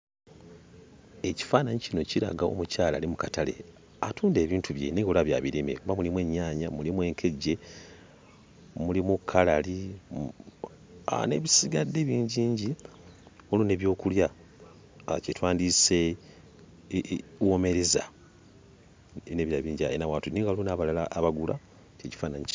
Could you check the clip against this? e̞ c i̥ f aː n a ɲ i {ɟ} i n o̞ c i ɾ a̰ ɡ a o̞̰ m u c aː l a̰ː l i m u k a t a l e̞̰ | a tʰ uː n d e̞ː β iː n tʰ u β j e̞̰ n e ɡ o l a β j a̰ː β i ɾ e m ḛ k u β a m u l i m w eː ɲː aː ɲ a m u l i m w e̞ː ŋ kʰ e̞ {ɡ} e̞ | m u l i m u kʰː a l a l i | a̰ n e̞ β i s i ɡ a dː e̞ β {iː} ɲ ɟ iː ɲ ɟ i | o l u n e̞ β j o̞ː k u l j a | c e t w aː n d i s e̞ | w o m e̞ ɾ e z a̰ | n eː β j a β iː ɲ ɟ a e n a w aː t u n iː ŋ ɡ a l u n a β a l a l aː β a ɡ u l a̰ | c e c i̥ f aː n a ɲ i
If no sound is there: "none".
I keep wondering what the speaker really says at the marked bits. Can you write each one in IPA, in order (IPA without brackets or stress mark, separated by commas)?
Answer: c, ɟ, iː